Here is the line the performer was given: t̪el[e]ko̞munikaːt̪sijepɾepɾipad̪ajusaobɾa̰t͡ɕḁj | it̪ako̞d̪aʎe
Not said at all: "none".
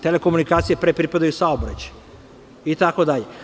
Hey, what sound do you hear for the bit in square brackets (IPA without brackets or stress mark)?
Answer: e